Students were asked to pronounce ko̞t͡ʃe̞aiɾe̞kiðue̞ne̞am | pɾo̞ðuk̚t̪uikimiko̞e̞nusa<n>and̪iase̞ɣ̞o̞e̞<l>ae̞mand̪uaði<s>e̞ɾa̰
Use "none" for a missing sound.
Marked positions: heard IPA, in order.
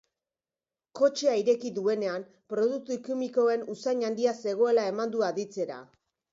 ɲ, l, t͡s

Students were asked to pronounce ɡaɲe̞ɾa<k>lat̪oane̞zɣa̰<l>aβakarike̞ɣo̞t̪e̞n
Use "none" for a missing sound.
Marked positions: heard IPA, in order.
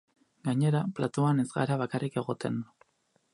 p, ɾ

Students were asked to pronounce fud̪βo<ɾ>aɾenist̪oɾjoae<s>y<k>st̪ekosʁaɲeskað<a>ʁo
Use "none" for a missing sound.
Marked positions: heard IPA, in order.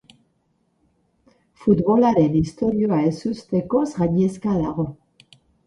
l, s, none, a

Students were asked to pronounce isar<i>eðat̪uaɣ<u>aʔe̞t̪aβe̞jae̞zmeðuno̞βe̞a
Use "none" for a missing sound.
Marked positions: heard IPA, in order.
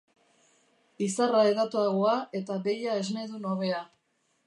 a, o

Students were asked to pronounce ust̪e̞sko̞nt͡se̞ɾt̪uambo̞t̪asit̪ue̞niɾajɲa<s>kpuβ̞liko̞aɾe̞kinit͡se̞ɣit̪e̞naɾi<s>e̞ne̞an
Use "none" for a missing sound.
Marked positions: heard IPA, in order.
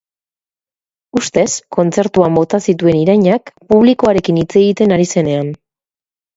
none, s

